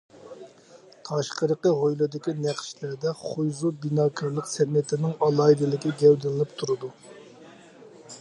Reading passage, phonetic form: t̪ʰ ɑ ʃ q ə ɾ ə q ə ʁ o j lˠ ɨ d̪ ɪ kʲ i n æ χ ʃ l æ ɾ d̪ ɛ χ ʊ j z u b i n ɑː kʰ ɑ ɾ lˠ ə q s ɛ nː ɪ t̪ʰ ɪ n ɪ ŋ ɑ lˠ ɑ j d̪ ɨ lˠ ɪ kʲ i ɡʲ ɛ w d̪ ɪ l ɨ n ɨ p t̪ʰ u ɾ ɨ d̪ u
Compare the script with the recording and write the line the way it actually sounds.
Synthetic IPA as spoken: t̪ʰ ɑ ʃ q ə ɾ ə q ə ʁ o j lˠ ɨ d̪ ɪ kʲ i n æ χ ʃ l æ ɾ d̪ ɛ χ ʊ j z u b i n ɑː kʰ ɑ ɾ lˠ ə q s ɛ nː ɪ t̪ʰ ɪ n ɪ ŋ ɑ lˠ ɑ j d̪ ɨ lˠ ɪ kʲ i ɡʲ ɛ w d̪ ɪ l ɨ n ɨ p t̪ʰ u ɾ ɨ d̪ u